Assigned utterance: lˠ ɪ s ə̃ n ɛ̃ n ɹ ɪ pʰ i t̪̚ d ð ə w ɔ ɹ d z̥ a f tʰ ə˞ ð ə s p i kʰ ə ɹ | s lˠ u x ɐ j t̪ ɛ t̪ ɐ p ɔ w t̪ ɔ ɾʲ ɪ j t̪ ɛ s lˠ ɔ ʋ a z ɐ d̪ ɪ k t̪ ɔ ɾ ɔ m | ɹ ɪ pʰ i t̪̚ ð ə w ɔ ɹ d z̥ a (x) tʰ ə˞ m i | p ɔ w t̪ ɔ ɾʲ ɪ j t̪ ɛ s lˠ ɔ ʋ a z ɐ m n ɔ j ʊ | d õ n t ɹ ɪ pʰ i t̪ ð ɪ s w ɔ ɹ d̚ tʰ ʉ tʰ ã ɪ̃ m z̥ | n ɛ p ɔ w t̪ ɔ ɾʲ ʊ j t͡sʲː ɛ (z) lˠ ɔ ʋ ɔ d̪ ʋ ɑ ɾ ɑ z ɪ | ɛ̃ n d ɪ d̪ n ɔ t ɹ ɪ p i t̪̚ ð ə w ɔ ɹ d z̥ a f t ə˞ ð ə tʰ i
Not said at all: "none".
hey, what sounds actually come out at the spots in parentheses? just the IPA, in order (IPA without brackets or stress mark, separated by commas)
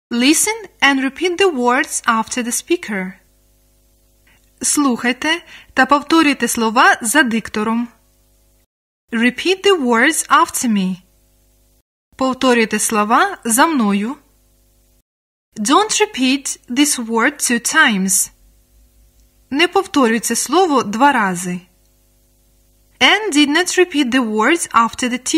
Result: f, s